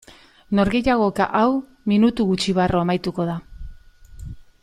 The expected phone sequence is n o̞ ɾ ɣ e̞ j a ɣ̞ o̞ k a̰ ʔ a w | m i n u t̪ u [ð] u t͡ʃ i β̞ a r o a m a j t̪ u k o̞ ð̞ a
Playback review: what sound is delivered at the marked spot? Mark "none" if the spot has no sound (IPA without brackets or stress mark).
ɣ